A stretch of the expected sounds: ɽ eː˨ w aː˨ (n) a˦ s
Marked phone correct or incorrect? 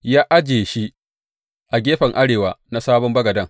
correct